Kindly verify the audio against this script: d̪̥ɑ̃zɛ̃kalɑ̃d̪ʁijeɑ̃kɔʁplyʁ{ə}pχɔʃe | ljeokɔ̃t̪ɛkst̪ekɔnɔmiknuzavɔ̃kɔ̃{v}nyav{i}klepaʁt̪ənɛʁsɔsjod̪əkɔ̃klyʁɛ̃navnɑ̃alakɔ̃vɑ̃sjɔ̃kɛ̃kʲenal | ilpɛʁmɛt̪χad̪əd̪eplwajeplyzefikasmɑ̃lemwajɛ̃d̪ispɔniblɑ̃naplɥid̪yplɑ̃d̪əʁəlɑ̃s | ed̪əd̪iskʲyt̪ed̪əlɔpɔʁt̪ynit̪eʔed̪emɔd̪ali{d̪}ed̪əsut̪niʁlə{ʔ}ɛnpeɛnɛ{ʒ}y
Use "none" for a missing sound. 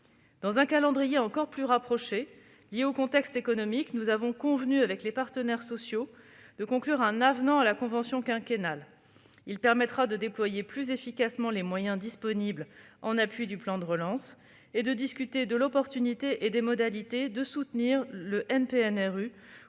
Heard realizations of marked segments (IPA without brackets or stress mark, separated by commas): a, v, ɛ, t̪, ʔ, ʁ